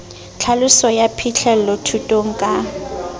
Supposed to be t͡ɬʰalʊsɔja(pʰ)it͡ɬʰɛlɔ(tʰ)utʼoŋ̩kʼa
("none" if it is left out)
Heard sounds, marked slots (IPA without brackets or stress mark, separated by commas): pʰ, tʰ